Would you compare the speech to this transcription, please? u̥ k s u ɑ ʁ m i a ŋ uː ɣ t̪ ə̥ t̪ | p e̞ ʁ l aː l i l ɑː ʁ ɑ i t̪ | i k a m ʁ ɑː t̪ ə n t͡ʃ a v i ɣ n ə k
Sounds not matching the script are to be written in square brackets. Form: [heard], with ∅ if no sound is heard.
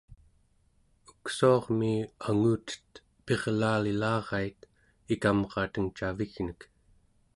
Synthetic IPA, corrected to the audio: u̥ k s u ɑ ʁ m i a ŋ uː [∅] t̪ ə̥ t̪ | p e̞ ʁ l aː l i l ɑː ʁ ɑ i t̪ | i k a m ʁ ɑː t̪ ə [ŋ] t͡ʃ a v i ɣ n ə k